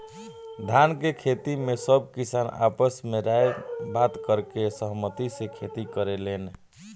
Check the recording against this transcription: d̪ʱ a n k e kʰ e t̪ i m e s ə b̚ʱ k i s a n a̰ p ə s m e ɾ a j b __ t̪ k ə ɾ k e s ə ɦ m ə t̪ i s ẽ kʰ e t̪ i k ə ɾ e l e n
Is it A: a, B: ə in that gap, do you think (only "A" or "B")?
A